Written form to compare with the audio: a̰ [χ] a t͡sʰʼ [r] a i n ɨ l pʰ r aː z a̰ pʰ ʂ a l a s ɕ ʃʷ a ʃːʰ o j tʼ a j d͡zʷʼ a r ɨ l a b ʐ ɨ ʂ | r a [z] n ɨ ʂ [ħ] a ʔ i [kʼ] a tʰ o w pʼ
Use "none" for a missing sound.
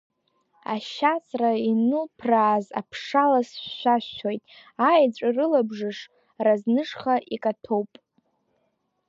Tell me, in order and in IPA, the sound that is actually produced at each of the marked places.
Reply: ʃ, r, z, χ, kʼ

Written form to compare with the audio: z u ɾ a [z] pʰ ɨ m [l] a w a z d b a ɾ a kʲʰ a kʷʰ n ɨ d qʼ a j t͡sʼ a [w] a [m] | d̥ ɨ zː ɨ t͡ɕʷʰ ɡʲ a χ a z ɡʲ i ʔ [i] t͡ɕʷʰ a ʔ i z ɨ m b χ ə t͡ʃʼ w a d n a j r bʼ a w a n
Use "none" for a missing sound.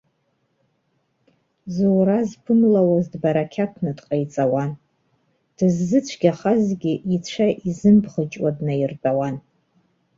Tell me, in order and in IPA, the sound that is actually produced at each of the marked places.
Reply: z, l, w, n, i

